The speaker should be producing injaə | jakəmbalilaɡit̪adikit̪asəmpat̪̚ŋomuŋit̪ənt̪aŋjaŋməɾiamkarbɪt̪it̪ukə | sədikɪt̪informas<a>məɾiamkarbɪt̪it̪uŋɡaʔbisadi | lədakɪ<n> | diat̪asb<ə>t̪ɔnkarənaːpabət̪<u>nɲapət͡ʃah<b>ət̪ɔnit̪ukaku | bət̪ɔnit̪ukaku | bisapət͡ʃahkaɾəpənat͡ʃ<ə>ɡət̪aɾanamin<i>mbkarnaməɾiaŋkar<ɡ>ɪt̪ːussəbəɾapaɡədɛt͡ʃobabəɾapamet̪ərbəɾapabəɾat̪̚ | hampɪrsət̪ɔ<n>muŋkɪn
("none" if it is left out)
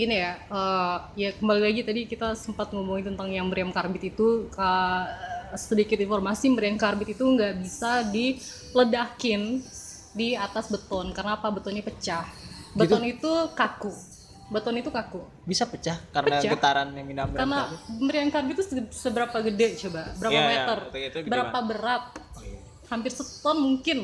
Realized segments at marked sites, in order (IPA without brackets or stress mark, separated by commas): i, n, ə, ɔ, b, a, a, b, n